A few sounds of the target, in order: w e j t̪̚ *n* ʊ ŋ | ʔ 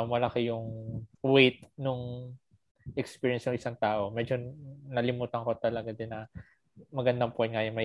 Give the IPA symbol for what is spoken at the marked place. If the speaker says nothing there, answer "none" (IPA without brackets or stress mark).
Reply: n